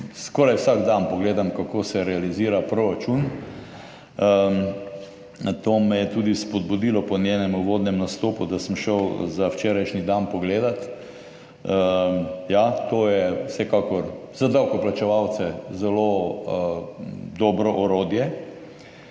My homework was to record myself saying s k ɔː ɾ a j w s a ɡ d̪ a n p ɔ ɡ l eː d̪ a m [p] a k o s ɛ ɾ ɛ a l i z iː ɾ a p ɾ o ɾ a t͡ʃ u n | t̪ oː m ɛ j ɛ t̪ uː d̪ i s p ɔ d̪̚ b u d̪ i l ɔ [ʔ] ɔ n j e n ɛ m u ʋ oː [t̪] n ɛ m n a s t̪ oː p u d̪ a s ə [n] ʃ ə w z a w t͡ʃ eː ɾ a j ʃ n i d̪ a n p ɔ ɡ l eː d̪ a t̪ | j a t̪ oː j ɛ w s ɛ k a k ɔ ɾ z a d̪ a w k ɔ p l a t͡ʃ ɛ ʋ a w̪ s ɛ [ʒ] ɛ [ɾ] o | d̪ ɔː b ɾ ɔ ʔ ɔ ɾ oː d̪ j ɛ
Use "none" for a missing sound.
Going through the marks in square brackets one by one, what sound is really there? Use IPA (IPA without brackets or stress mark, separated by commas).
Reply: k, p, d̪, m, z, l